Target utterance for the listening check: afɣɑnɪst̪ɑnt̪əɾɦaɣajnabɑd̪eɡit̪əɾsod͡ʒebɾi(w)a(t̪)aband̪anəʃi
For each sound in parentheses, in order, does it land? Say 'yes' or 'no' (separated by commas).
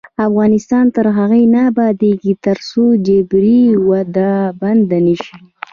yes, no